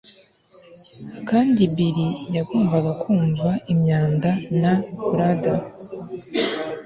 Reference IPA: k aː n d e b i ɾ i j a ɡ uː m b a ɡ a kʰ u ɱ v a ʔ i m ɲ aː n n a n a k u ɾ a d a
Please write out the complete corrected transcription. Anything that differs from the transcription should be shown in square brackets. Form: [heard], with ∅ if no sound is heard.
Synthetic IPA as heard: k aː n d [i] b i ɾ i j a ɡ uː m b a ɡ a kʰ [uː] ɱ v a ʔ i m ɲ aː n [d] a n a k u ɾ a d a